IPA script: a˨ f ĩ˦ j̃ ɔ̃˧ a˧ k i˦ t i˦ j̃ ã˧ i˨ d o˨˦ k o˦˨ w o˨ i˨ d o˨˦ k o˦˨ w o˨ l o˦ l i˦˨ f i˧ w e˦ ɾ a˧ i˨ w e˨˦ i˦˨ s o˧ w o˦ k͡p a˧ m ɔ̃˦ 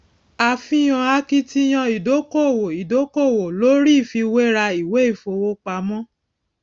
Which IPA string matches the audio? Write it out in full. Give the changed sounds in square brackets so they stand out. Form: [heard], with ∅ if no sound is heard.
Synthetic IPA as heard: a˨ f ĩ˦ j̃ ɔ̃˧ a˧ k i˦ t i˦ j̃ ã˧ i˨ d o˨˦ k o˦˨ w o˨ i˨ d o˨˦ k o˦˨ w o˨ l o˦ [ɾ] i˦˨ f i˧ w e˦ ɾ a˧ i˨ w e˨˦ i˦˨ [f] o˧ w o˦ k͡p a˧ m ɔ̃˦